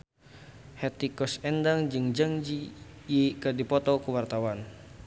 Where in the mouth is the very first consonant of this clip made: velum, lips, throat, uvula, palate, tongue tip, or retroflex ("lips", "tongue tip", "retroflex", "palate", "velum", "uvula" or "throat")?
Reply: throat